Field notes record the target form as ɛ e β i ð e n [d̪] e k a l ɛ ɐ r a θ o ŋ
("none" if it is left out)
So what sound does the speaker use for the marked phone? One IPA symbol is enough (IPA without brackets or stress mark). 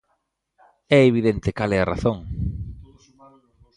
t̪